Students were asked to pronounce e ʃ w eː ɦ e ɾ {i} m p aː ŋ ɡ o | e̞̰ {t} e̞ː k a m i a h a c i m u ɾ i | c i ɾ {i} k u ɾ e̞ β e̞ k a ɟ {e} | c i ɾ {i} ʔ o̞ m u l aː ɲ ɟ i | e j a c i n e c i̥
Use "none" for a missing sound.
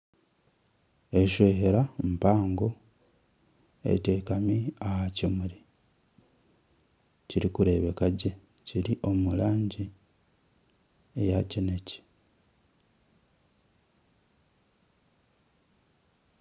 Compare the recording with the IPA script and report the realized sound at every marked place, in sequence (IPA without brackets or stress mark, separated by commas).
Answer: a, t, i, e, i